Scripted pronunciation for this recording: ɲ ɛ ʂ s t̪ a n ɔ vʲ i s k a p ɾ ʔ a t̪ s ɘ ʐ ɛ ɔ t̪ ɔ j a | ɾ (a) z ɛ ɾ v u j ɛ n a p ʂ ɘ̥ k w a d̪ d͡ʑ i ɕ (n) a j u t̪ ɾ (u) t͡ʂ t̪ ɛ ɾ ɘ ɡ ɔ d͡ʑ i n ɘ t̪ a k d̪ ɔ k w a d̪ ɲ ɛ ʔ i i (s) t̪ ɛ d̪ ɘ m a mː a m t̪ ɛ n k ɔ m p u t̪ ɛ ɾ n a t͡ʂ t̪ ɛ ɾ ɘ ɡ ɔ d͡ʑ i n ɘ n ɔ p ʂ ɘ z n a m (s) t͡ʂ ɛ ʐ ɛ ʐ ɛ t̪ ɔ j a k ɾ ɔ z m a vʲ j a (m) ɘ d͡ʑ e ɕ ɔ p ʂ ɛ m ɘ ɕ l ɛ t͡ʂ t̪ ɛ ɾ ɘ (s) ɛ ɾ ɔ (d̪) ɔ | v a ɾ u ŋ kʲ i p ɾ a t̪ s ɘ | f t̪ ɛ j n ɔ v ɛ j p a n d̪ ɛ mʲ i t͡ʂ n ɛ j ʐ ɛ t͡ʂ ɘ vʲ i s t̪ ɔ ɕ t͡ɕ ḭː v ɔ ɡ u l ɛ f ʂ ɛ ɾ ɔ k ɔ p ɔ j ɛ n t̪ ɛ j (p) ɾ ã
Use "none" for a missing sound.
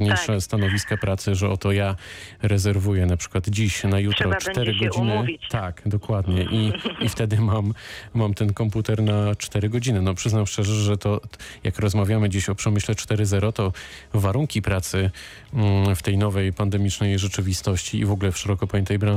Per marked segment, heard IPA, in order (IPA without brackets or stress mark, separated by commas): ɛ, n, ɔ, f, ʂ, m, z, t̪, b